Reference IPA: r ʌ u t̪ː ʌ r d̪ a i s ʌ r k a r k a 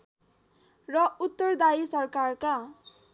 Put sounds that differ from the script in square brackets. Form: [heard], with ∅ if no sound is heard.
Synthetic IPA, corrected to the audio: r ʌ u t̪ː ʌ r d̪ a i s ʌ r k a r k a